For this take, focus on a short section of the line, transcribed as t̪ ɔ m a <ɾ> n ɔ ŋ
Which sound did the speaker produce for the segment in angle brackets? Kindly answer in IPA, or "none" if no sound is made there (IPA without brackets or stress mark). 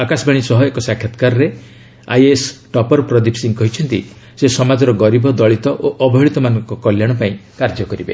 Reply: none